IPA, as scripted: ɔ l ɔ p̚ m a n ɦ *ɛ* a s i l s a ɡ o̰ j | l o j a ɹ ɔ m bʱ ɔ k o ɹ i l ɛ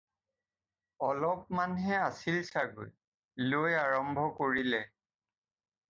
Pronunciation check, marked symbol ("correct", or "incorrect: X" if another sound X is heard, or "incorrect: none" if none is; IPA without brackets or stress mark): correct